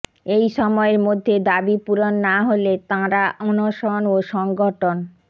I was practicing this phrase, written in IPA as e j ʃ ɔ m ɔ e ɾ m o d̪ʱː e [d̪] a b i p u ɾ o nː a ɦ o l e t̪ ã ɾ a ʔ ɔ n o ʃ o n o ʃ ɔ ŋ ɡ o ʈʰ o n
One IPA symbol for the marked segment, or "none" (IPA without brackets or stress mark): d̪